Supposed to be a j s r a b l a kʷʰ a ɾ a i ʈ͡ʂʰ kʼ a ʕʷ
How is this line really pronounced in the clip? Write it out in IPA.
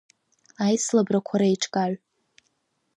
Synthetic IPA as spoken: a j s l a b r a kʷʰ a ɾ a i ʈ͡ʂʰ kʼ a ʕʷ